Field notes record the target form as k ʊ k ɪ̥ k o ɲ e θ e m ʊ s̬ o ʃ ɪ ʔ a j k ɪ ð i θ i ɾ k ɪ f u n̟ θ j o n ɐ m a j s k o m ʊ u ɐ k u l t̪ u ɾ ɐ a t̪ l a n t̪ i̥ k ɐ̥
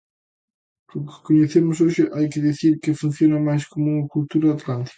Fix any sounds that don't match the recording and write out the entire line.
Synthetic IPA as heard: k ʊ k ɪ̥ k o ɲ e θ e m ʊ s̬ o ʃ ɪ ʔ a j k ɪ ð i θ i ɾ k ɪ f u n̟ θ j o n ɐ m a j s k o m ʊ u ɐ k u l t̪ u ɾ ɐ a t̪ l a n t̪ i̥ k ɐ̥